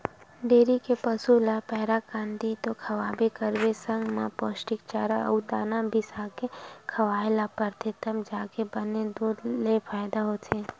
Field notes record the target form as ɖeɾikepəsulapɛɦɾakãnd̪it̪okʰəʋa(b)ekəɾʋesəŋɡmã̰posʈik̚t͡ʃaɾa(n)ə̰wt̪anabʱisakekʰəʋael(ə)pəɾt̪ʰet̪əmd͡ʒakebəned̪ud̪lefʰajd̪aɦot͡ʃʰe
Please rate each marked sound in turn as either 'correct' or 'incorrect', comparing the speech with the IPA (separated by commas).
correct, incorrect, incorrect